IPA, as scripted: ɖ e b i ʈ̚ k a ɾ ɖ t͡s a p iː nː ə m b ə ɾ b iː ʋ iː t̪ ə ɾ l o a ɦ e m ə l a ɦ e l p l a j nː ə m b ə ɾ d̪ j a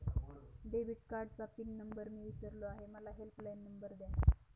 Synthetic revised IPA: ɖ e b i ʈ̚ k a ɾ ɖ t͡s a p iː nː ə m b ə ɾ m iː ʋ i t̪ ə ɾ l o a ɦ e m ə l a ɦ e l p l a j nː ə m b ə ɾ d̪ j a